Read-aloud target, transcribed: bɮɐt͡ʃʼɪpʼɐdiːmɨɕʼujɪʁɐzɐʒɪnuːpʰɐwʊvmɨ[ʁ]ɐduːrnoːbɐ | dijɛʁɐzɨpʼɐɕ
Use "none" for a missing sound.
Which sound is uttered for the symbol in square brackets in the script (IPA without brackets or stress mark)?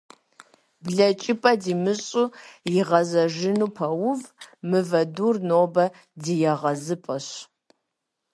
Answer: v